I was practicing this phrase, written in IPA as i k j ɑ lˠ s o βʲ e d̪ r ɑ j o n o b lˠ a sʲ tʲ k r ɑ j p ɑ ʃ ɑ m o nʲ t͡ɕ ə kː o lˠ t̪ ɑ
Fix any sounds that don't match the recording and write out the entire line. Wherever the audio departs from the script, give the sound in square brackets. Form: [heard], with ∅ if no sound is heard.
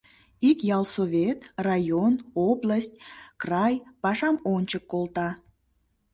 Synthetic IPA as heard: i k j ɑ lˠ s o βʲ e [t̪] r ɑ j o n o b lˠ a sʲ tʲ k r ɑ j p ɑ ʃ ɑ m o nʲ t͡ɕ ə kː o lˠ t̪ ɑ